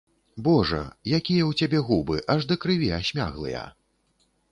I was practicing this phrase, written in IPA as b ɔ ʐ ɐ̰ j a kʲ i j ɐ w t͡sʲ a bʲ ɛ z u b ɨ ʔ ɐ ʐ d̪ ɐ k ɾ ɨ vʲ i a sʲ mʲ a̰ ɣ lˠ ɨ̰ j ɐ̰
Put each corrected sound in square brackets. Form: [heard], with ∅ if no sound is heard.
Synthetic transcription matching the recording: b ɔ ʐ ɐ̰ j a kʲ i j ɐ w t͡sʲ a bʲ ɛ [ɣ] u b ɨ ʔ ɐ ʐ d̪ ɐ k ɾ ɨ vʲ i a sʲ mʲ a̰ ɣ lˠ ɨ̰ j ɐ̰